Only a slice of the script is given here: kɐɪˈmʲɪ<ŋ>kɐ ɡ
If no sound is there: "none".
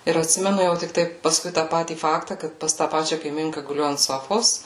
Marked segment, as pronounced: ŋ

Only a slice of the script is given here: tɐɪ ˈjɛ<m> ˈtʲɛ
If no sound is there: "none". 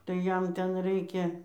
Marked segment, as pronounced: m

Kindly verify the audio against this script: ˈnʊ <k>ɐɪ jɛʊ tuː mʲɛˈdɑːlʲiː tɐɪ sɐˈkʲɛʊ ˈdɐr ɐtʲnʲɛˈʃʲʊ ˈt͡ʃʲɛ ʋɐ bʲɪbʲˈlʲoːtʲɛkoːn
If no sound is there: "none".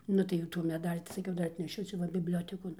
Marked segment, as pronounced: t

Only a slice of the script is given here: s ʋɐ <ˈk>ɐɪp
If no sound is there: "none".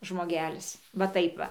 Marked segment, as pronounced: t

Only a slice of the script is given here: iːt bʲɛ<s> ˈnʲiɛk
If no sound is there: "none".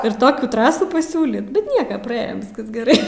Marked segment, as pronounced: t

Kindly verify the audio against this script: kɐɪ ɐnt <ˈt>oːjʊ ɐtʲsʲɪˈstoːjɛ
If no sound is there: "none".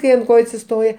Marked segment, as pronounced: k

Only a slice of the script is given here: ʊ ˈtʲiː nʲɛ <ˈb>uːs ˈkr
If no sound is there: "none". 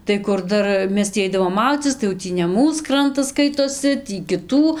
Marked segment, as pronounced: m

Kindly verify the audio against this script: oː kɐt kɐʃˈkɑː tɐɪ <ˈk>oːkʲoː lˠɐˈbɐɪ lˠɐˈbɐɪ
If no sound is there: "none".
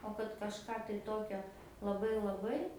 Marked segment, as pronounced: t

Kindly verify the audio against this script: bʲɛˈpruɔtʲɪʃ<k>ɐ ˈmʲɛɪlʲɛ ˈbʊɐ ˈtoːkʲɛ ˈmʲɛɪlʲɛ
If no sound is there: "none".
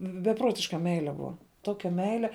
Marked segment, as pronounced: k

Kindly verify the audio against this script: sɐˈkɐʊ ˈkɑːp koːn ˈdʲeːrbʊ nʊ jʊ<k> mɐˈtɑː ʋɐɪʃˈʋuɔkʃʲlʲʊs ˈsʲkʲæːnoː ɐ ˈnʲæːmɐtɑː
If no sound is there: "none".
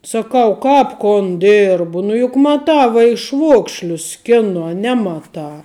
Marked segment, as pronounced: k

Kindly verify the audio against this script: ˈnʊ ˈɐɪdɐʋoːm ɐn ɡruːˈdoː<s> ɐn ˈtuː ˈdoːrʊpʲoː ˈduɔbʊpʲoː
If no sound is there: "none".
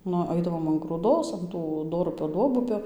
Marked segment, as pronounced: s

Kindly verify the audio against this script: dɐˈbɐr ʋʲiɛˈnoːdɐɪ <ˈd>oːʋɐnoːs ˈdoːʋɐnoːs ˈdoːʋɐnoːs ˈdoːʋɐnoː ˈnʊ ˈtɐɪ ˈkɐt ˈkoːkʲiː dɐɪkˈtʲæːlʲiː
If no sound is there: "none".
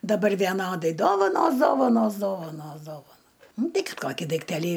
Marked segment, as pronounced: d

